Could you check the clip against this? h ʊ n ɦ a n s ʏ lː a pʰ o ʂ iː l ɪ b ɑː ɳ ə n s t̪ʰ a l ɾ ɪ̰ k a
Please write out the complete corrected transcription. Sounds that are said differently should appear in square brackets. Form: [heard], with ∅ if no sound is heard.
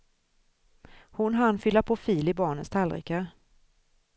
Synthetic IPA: h ʊ n ɦ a n [f] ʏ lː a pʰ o [f] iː l ɪ b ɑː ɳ ə n s t̪ʰ a l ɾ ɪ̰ k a